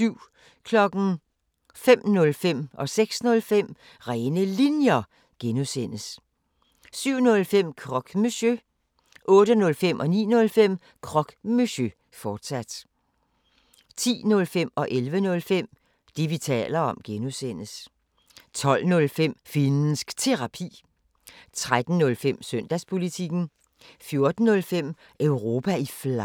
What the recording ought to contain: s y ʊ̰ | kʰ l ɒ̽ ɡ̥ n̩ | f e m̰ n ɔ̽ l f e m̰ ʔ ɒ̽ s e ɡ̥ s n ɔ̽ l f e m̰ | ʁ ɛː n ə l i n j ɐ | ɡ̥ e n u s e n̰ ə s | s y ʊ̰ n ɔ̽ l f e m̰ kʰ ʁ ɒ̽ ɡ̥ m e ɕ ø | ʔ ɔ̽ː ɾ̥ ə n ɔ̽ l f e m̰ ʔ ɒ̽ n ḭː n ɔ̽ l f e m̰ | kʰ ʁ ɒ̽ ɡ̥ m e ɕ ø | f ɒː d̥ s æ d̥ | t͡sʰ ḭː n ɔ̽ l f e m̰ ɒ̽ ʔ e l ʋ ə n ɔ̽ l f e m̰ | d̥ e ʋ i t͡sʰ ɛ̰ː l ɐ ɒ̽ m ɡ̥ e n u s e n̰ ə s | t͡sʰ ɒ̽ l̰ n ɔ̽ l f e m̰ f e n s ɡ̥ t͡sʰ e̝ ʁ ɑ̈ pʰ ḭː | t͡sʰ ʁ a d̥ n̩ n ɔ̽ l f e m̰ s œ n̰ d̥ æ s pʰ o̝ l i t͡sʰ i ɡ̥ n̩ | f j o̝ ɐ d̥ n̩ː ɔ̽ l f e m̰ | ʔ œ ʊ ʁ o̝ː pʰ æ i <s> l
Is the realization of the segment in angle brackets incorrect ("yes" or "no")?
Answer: yes